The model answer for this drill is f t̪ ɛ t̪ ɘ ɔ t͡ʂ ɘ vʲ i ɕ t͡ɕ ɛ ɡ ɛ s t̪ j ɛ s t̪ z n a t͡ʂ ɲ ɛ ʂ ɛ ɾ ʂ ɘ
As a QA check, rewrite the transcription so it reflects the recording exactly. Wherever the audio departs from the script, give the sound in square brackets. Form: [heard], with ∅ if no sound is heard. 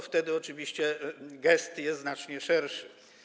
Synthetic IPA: f t̪ ɛ [d̪] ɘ ɔ t͡ʂ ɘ vʲ i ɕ t͡ɕ ɛ ɡ ɛ s t̪ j ɛ s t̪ z n a t͡ʂ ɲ ɛ ʂ ɛ ɾ ʂ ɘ